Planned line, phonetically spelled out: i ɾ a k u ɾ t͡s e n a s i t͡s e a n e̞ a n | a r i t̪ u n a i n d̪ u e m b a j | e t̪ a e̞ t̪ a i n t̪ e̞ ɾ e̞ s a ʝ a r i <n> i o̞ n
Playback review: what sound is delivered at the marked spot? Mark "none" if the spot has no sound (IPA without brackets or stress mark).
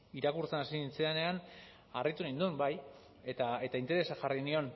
n